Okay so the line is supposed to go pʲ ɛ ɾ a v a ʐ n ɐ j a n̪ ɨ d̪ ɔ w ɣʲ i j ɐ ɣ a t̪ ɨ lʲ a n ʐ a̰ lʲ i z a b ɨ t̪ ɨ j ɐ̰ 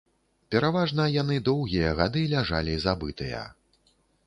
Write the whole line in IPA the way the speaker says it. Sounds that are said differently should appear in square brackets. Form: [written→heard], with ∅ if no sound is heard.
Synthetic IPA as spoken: pʲ ɛ ɾ a v a ʐ n ɐ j a n̪ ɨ d̪ ɔ w ɣʲ i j ɐ ɣ a [t̪→d̪] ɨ lʲ a [n→∅] ʐ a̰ lʲ i z a b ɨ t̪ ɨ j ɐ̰

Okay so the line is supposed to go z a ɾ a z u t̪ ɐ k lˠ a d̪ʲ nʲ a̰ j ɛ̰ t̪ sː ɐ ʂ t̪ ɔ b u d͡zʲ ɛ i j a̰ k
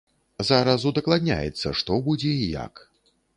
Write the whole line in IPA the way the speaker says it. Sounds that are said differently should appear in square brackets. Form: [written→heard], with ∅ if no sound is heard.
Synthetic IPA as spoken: z a ɾ a z u [t̪→d̪] ɐ k lˠ a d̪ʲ nʲ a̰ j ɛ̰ t̪ sː ɐ ʂ t̪ ɔ b u d͡zʲ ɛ i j a̰ k

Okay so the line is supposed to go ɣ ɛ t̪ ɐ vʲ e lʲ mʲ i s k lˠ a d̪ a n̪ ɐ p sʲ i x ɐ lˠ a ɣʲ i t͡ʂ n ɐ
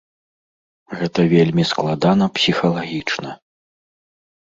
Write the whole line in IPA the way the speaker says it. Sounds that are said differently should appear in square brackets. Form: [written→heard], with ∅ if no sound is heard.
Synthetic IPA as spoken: ɣ ɛ t̪ ɐ vʲ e lʲ mʲ i s k lˠ a d̪ a n̪ ɐ p sʲ i x ɐ lˠ a ɣʲ i t͡ʂ n ɐ

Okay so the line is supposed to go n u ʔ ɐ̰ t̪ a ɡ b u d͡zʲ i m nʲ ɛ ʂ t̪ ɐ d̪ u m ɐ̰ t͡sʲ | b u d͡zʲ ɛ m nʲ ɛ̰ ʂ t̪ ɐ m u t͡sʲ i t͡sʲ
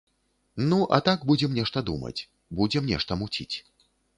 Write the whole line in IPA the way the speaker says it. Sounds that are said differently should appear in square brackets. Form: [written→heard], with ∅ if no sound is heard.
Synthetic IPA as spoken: n u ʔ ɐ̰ t̪ a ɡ b u d͡zʲ [i→ɛ] m nʲ ɛ ʂ t̪ ɐ d̪ u m ɐ̰ t͡sʲ | b u d͡zʲ ɛ m nʲ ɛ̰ ʂ t̪ ɐ m u t͡sʲ i t͡sʲ

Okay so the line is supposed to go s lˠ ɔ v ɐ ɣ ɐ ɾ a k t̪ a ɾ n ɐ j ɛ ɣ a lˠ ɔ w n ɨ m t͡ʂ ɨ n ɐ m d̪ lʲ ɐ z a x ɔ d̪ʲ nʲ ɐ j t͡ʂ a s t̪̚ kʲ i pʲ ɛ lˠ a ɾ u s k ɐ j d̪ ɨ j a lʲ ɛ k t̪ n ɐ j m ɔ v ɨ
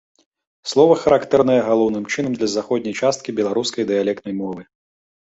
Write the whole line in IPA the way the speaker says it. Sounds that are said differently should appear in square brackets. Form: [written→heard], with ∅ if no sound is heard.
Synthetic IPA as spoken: s lˠ ɔ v ɐ [ɣ→x] ɐ ɾ a k t̪ [a→ɛ] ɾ n ɐ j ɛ ɣ a lˠ ɔ w n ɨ m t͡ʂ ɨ n ɐ m d̪ lʲ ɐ z a x ɔ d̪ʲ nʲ ɐ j t͡ʂ a s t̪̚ kʲ i [pʲ→bʲ] ɛ lˠ a ɾ u s k ɐ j d̪ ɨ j a lʲ ɛ k t̪ n ɐ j m ɔ v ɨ

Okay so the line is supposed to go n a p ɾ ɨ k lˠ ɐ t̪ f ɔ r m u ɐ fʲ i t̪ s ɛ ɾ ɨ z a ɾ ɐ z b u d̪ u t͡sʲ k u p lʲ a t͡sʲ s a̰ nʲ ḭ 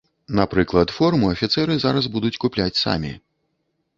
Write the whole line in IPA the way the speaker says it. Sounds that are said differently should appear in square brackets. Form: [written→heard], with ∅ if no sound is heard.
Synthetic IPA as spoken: n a p ɾ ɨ k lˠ ɐ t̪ f ɔ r m u ɐ fʲ i t̪ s ɛ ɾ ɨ z a ɾ ɐ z b u d̪ u t͡sʲ k u p lʲ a t͡sʲ s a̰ [nʲ→mʲ] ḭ

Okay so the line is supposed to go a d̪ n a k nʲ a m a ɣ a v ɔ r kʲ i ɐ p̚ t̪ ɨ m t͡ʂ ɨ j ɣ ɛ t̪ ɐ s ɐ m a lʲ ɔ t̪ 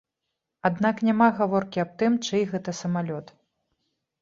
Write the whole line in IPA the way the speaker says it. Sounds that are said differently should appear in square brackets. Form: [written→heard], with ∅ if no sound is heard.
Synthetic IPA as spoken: a d̪ n a k nʲ a m a ɣ a v ɔ r kʲ i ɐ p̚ t̪ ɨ m t͡ʂ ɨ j ɣ ɛ t̪ ɐ s ɐ m a lʲ ɔ t̪

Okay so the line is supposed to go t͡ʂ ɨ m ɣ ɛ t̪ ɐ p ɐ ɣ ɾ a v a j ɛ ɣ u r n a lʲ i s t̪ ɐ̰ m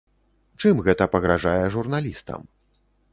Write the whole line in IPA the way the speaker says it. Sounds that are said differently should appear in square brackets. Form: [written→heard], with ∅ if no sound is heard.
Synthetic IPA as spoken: t͡ʂ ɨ m ɣ ɛ t̪ ɐ p ɐ ɣ ɾ a [v→ʐ] a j ɛ [ɣ→ʐ] u r n a lʲ i s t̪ ɐ̰ m

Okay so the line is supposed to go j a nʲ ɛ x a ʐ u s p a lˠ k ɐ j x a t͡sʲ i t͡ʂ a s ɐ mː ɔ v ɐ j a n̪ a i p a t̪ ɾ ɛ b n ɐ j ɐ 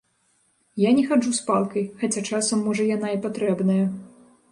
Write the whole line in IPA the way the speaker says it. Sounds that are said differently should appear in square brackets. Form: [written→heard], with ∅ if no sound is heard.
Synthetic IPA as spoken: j a nʲ ɛ x a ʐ u s p a lˠ k ɐ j x a t͡sʲ [i→a] t͡ʂ a s ɐ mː ɔ [v→ʐ] ɐ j a n̪ a i p a t̪ ɾ ɛ b n ɐ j ɐ

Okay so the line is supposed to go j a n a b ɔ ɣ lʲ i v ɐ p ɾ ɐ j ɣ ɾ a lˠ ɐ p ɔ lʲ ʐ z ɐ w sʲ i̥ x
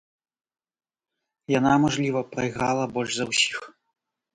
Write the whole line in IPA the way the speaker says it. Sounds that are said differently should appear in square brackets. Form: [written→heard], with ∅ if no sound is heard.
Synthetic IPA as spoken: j a n a [b→m] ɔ [ɣ→ʐ] lʲ i v ɐ p ɾ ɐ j ɣ ɾ a lˠ ɐ [p→b] ɔ lʲ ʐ z ɐ w sʲ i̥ x

